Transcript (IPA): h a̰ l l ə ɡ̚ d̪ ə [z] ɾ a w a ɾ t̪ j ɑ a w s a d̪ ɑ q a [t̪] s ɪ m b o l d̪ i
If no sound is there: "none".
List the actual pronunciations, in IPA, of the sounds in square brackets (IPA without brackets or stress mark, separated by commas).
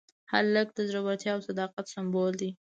z, t̪